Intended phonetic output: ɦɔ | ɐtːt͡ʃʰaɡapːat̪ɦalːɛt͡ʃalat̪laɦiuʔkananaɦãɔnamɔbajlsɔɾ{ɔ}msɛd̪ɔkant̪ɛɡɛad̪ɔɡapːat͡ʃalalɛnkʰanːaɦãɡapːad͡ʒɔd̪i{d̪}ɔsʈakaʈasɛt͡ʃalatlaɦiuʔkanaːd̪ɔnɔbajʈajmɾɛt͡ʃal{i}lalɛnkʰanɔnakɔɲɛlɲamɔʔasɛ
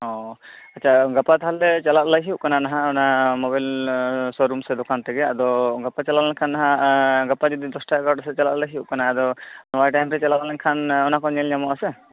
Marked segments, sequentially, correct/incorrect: incorrect: u, correct, incorrect: a

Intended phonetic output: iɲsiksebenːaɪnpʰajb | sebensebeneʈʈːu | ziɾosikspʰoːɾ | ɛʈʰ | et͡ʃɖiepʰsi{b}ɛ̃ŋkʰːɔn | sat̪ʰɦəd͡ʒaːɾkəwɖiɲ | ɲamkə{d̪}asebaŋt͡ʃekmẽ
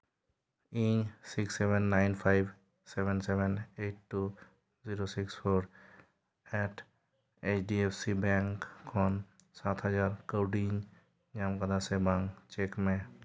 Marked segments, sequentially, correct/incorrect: correct, correct

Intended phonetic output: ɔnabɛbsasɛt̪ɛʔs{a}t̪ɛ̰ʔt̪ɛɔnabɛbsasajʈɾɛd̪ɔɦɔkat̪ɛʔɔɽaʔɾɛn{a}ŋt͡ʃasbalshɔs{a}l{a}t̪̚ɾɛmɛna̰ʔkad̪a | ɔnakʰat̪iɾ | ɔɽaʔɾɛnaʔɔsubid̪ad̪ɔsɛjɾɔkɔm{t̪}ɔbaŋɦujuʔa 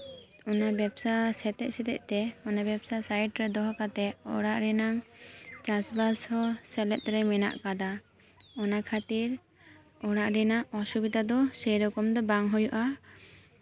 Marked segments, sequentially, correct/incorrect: incorrect: ɛ, correct, incorrect: ɛ, incorrect: ɛ, incorrect: d̪

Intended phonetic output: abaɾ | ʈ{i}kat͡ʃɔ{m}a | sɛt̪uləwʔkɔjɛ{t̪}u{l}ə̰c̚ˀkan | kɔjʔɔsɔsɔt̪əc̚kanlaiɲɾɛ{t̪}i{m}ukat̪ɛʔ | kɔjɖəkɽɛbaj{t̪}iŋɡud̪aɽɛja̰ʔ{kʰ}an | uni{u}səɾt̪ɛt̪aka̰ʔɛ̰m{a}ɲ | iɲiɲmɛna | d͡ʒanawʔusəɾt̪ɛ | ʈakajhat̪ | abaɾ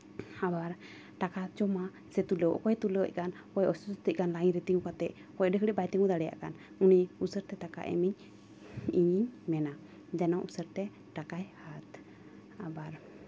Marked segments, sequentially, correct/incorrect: incorrect: a, correct, correct, correct, correct, incorrect: ŋ, correct, incorrect: k, correct, incorrect: i

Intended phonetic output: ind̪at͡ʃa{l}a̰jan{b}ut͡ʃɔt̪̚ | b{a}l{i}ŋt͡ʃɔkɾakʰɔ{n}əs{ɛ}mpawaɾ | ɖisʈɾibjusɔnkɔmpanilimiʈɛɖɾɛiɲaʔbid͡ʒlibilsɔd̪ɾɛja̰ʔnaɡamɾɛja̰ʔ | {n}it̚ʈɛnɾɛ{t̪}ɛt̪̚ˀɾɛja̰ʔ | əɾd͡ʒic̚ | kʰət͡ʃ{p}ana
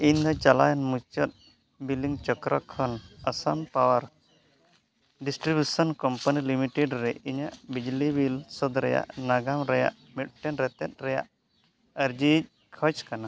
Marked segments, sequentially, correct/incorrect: correct, incorrect: m, incorrect: i, correct, correct, incorrect: a, incorrect: m, correct, incorrect: k

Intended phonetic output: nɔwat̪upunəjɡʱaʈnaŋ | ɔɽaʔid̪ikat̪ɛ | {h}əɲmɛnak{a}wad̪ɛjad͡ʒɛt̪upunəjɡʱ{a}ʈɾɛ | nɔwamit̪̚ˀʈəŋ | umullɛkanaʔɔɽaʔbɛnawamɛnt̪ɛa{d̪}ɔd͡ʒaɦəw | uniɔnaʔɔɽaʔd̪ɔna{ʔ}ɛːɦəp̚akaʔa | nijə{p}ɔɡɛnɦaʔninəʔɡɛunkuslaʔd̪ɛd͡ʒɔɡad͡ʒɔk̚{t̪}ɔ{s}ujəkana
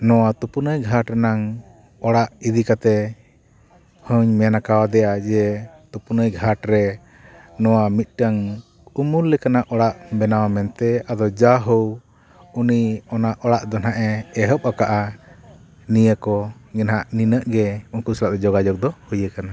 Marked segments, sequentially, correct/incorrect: correct, correct, correct, correct, correct, incorrect: k, incorrect: d̪, incorrect: h

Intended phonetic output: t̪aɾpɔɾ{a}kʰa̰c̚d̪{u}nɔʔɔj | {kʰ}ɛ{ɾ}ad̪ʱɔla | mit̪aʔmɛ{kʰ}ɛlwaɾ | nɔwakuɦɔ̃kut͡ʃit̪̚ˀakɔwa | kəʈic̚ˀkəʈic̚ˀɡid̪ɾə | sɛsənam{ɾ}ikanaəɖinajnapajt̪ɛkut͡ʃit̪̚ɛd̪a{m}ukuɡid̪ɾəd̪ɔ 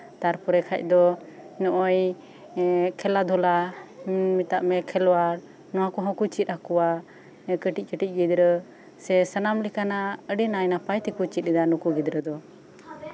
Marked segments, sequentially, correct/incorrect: incorrect: ɛ, incorrect: ɔ, correct, incorrect: l, correct, incorrect: l, incorrect: n

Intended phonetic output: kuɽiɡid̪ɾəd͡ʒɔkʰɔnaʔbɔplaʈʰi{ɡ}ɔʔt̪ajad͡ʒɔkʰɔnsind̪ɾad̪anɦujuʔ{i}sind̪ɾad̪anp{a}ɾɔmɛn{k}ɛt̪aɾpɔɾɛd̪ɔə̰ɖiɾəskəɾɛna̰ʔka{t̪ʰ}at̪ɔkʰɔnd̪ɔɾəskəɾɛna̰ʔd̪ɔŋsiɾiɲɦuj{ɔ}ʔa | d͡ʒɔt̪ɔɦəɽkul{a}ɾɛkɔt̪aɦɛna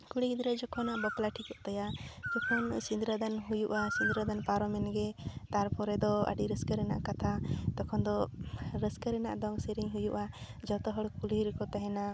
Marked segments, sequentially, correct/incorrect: incorrect: k, incorrect: a, correct, incorrect: ɡ, correct, incorrect: u, incorrect: i

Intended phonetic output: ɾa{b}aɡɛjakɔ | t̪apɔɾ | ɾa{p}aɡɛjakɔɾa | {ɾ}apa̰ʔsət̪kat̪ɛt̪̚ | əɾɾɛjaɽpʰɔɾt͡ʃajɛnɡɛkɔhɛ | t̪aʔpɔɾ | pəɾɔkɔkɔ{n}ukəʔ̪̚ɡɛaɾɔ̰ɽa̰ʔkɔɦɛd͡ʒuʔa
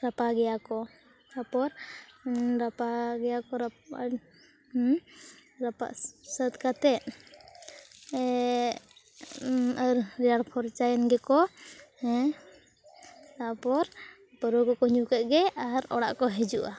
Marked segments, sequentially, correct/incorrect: incorrect: p, correct, correct, incorrect: ɲ

